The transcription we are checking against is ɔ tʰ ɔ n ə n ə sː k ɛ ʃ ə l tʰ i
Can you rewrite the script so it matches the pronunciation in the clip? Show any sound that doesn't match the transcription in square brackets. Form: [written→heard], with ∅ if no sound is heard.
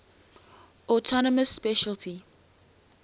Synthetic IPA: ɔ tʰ ɔ n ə [n→m] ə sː [k→p] ɛ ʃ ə l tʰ i